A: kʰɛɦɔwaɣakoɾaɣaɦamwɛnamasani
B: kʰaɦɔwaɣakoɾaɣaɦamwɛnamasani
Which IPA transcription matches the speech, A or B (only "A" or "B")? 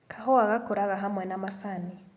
B